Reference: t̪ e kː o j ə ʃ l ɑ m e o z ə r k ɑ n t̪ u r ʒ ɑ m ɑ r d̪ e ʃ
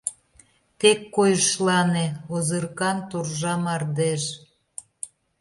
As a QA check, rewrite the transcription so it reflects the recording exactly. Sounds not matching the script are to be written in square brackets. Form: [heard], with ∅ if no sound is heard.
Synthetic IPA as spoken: t̪ e kː o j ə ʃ l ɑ [n] e o z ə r k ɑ n t̪ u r ʒ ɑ m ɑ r d̪ e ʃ